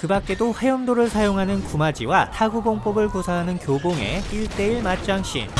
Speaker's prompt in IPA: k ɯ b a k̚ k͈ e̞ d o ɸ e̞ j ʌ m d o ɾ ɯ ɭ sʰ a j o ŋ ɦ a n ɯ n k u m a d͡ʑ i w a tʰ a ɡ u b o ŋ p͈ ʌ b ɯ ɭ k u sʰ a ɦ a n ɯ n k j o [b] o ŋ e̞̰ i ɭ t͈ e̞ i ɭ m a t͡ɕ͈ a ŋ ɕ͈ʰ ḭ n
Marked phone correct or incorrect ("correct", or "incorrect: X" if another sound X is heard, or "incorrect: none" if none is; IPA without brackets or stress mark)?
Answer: correct